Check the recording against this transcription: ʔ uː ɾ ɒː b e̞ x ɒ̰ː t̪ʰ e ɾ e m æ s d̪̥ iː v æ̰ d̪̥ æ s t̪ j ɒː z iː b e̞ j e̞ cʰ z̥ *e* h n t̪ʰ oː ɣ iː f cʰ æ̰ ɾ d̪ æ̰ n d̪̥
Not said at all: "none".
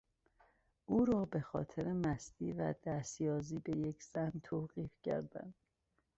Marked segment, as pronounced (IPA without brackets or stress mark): æ